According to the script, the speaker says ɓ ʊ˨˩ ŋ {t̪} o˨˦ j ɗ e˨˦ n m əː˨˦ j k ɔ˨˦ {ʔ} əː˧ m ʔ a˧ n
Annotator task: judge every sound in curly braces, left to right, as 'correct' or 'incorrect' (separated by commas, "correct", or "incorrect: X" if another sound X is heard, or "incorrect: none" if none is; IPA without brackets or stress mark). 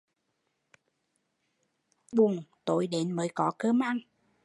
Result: correct, incorrect: k